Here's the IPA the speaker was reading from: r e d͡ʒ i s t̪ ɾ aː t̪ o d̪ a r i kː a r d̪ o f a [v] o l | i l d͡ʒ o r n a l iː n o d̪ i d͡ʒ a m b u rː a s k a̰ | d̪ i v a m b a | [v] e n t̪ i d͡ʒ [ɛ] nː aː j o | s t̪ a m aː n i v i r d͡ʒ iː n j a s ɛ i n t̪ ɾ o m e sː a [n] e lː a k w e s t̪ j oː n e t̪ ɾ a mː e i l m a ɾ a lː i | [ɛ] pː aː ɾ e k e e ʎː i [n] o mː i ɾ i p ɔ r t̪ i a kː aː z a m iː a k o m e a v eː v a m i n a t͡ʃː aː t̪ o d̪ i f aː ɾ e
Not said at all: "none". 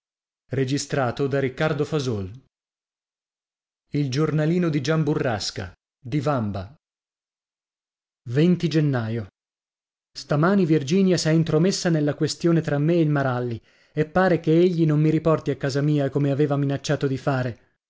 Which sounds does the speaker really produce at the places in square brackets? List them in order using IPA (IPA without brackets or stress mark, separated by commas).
z, v, e, n, e, n